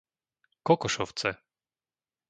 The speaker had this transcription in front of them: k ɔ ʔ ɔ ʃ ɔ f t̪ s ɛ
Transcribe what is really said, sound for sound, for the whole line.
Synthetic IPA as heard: k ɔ k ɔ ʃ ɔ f t̪ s ɛ